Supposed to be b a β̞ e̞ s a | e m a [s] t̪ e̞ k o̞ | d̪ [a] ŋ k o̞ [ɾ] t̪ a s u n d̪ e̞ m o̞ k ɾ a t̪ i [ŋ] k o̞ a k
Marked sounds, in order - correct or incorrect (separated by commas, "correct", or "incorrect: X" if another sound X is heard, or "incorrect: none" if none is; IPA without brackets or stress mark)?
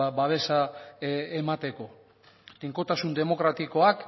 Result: incorrect: none, incorrect: i, incorrect: none, incorrect: none